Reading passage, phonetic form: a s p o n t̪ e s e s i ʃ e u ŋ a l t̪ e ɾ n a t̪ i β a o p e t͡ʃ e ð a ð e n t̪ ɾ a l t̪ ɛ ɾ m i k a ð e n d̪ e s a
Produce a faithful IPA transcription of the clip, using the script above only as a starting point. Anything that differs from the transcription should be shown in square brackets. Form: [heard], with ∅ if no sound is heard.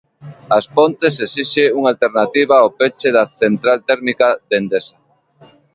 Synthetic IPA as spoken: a s p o n t̪ e s e s i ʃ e u ŋ a l t̪ e ɾ n a t̪ i β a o p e t͡ʃ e ð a [θ] e n t̪ ɾ a l t̪ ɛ ɾ m i k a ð e n d̪ e s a